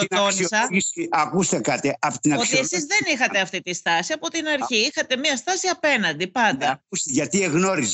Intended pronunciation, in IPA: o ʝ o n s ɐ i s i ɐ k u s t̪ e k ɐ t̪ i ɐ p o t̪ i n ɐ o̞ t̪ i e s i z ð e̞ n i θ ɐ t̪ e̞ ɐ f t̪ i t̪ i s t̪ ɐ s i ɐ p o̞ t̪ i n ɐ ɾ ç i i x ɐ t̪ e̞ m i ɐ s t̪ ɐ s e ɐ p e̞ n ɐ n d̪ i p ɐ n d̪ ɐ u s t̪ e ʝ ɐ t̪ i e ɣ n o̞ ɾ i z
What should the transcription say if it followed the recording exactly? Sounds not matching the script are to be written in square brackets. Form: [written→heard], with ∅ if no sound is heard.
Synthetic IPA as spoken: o [ʝ→∅] o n s ɐ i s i ɐ k u s t̪ e k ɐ t̪ i ɐ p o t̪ i n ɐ o̞ t̪ i e s i z ð e̞ n i [θ→x] ɐ t̪ e̞ ɐ f t̪ i t̪ i s t̪ ɐ s i ɐ p o̞ t̪ i n ɐ ɾ ç i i x ɐ t̪ e̞ m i ɐ s t̪ ɐ s [e→i] ɐ p e̞ n ɐ n d̪ i p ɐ n d̪ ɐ u s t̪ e ʝ ɐ t̪ i e ɣ n o̞ ɾ i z